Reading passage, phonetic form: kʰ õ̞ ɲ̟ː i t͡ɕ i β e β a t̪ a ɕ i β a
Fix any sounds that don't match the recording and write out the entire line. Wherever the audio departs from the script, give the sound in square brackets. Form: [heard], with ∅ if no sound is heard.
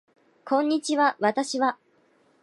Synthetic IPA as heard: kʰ õ̞ ɲ̟ː i t͡ɕ i β [a] β a t̪ a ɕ i β a